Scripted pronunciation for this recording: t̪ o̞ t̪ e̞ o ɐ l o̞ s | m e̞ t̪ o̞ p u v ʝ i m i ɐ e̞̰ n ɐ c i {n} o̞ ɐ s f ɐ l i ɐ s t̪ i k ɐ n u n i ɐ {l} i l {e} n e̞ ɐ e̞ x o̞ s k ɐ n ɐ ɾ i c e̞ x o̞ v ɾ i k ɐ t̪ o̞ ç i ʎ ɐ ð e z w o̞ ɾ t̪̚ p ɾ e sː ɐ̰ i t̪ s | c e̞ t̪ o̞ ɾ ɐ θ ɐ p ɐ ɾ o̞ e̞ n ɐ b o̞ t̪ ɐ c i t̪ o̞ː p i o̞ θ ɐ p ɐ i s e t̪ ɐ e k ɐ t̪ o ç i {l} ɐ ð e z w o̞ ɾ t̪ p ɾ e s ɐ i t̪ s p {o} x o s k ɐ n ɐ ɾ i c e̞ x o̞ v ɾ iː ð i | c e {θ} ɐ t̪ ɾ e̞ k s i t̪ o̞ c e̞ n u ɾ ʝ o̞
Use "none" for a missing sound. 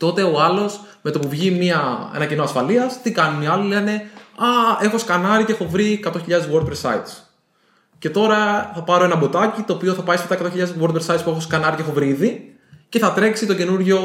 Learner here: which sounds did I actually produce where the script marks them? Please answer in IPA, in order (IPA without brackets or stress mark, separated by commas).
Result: n, l, e, ʎ, u, θ